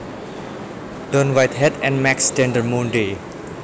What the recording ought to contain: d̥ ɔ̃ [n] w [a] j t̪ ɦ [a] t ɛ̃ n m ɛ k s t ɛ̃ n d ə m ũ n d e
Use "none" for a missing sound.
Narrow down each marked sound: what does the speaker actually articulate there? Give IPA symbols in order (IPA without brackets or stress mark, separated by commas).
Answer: n, a, ɛ